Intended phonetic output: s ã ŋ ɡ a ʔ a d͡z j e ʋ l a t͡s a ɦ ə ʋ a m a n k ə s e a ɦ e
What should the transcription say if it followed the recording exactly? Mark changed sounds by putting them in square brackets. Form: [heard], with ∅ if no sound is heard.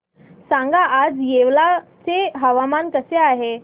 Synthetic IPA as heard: s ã ŋ ɡ a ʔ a d͡z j e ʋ l a t͡s [e] ɦ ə ʋ a m a n k ə s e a ɦ e